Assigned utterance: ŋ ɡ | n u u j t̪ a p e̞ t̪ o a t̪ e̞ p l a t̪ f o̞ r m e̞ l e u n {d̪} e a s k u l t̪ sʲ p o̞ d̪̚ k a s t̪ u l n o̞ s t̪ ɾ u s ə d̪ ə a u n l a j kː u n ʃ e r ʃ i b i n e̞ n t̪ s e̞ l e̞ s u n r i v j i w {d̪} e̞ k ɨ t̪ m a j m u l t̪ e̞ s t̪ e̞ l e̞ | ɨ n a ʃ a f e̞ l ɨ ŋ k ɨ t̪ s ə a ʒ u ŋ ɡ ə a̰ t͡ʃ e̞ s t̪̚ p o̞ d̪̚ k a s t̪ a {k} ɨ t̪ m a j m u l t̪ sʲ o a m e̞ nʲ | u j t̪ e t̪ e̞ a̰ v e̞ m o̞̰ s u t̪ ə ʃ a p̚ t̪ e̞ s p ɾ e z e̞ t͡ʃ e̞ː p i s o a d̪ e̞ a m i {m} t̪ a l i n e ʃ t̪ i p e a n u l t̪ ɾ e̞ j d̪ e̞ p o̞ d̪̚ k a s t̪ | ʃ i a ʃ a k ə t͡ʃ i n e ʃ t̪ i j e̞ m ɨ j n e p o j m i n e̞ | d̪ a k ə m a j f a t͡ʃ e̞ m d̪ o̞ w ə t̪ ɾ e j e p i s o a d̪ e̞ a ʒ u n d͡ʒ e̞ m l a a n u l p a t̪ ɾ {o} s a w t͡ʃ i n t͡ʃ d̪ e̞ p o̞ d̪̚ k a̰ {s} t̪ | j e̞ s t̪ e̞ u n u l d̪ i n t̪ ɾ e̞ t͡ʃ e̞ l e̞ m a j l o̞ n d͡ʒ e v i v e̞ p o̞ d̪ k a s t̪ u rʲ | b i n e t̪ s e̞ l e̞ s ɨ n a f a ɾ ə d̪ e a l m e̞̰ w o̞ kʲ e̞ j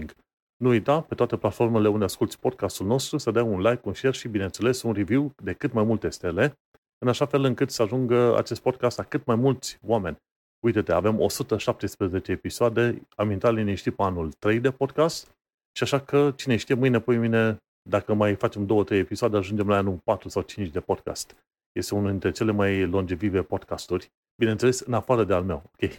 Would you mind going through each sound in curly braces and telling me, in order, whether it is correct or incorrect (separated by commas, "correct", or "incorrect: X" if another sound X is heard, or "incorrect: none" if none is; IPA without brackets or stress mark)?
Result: correct, correct, correct, incorrect: n, incorrect: u, correct